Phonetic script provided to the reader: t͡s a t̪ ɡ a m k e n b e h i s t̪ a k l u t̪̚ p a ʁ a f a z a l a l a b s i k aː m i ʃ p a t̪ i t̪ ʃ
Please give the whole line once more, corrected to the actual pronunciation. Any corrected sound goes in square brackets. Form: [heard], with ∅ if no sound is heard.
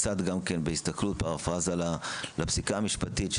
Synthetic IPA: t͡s a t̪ ɡ a m k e n b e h i s t̪ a k l u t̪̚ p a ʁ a f a z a l a l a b s i k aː m i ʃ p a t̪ i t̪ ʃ